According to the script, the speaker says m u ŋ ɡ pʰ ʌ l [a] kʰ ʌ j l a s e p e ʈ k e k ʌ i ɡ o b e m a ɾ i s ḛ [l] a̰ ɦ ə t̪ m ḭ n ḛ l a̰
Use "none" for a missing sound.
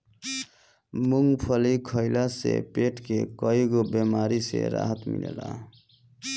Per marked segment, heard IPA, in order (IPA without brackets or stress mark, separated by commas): i, ɾ